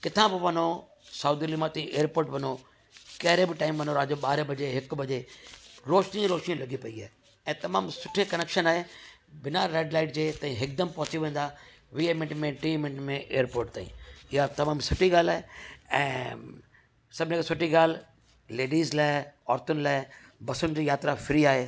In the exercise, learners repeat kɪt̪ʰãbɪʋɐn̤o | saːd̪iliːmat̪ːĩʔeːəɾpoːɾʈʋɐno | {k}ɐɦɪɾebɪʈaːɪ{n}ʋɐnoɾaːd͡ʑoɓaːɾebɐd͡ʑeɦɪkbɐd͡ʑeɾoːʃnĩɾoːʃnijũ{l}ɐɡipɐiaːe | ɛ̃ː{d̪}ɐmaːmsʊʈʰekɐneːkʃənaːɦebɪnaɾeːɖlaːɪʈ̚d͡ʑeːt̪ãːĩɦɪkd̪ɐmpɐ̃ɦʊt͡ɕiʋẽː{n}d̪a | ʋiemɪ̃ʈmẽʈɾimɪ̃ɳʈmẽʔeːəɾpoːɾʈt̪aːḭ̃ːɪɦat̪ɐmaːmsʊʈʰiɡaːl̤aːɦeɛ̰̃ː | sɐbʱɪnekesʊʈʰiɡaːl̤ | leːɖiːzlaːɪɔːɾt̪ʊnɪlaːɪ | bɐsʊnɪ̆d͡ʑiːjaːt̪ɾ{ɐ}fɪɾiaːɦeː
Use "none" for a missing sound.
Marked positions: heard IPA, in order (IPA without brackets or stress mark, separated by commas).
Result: k, m, l, t̪, n, a